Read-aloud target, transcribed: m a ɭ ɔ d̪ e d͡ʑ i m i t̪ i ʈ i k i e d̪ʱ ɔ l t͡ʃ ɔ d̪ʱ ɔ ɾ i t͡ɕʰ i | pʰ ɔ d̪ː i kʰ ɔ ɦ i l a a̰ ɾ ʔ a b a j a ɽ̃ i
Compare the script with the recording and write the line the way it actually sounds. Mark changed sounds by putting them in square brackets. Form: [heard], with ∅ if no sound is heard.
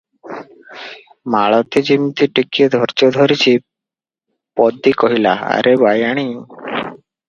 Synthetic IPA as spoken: m a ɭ ɔ [t̪] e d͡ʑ i m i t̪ i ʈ i k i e d̪ʱ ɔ [ɾ] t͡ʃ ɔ d̪ʱ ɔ ɾ i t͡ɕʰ i | [p] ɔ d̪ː i [k] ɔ ɦ i l a a̰ ɾ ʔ [e] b a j a ɽ̃ i

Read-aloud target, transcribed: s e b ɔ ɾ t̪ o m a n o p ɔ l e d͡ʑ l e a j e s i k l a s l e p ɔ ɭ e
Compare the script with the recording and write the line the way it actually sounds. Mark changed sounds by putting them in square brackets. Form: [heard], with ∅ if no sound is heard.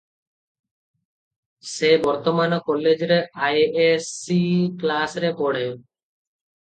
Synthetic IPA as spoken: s e b ɔ ɾ t̪ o m a n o [k] ɔ l e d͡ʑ [ɾ] e a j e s i k l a s [ɾ] e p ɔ [ɽ] e

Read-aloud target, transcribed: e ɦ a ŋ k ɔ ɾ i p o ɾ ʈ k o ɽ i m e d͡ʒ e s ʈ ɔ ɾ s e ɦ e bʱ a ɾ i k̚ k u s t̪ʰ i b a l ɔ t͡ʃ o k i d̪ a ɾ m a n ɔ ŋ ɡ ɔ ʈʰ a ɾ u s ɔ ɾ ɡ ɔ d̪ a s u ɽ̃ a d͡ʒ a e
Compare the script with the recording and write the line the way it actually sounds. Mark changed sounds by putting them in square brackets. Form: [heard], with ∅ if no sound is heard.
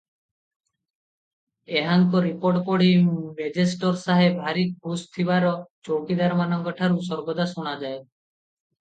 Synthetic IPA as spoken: e ɦ a ŋ k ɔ ɾ i p o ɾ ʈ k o ɽ i m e d͡ʒ e s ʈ ɔ ɾ s [a] ɦ e bʱ a ɾ i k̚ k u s t̪ʰ i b a [ɾ] ɔ t͡ʃ o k i d̪ a ɾ m a n ɔ ŋ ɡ ɔ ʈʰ a ɾ u s ɔ ɾ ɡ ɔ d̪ a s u ɽ̃ a d͡ʒ a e

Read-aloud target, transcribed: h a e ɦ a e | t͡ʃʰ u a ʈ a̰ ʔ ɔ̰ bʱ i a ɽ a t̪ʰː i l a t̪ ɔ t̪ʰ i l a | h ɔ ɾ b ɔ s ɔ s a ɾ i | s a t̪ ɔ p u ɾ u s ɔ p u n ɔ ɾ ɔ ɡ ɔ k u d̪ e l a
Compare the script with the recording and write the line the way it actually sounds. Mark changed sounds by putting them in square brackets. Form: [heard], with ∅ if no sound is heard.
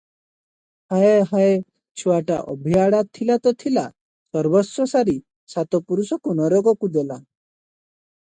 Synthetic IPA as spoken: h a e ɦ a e | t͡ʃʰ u a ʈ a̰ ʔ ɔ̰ bʱ i a ɽ a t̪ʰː i l a t̪ ɔ t̪ʰ i l a | [s] ɔ ɾ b ɔ s ɔ s a ɾ i | s a t̪ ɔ p u ɾ u s ɔ [k] u n ɔ ɾ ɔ ɡ ɔ k u d̪ e l a

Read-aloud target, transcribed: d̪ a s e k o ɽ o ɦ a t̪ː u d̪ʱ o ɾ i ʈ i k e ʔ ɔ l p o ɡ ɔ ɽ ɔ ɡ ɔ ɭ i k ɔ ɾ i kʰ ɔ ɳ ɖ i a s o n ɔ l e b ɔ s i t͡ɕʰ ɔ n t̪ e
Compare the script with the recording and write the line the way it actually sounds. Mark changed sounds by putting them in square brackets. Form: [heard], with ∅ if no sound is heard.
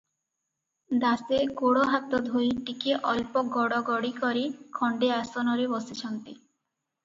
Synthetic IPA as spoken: d̪ a s e k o ɽ o ɦ a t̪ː [o] d̪ʱ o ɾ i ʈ i k e ʔ ɔ l p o ɡ ɔ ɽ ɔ ɡ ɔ [ɽ] i k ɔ ɾ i kʰ ɔ ɳ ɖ [e] a s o n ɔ [ɾ] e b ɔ s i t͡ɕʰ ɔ n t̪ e

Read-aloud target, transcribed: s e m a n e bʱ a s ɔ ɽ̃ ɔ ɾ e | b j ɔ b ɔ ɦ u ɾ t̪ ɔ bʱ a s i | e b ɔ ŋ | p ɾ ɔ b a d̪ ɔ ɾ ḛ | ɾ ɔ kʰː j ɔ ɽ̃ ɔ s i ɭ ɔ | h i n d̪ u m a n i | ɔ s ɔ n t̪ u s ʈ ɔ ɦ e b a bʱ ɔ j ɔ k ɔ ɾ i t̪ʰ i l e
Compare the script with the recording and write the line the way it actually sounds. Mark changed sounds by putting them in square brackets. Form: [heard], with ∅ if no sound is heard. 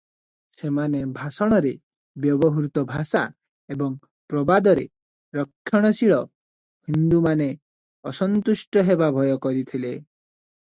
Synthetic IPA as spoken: s e m a n e bʱ a s ɔ ɽ̃ ɔ ɾ e | b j ɔ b ɔ ɦ u ɾ t̪ ɔ bʱ a s [a] | e b ɔ ŋ | p ɾ ɔ b a d̪ ɔ ɾ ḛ | ɾ ɔ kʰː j ɔ ɽ̃ ɔ s i ɭ ɔ | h i n d̪ u m a n [e] | ɔ s ɔ n t̪ u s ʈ ɔ ɦ e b a bʱ ɔ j ɔ k ɔ ɾ i t̪ʰ i l e

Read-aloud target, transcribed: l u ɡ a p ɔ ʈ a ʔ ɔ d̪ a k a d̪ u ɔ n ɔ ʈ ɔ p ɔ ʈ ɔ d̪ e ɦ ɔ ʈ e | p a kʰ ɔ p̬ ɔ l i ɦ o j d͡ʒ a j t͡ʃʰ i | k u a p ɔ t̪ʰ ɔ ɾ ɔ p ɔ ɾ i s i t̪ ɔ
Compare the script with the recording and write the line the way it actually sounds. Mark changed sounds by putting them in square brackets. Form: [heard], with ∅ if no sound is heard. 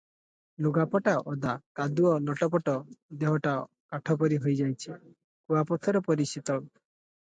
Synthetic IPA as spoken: l u ɡ a p ɔ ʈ a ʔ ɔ d̪ a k a d̪ u ɔ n ɔ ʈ ɔ p ɔ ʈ ɔ d̪ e ɦ ɔ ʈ [a] | [k] a [ʈʰ] ɔ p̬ ɔ [ɾ] i ɦ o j d͡ʒ a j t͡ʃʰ i | k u a p ɔ t̪ʰ ɔ ɾ ɔ p ɔ ɾ i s i t̪ ɔ

